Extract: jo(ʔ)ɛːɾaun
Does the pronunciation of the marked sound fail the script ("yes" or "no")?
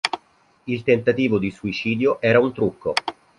no